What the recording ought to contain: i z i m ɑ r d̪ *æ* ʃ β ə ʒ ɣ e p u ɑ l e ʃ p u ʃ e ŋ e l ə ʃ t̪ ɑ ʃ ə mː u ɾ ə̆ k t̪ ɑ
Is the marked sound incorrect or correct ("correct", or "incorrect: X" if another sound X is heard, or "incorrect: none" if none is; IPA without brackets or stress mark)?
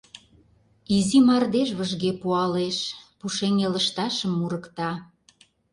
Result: incorrect: e